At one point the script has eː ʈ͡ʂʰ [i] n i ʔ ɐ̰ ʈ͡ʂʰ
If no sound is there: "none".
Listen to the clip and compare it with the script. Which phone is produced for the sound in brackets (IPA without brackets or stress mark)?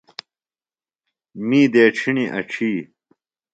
i